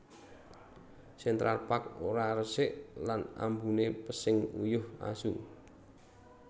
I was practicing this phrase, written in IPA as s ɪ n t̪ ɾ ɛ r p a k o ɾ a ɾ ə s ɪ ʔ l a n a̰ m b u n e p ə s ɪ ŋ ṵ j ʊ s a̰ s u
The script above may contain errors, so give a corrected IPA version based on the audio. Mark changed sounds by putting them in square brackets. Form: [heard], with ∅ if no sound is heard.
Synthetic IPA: s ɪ n t̪ ɾ [a] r p a k o ɾ a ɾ ə s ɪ ʔ l a n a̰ m b u n e p ə s ɪ ŋ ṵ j ʊ [h] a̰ s u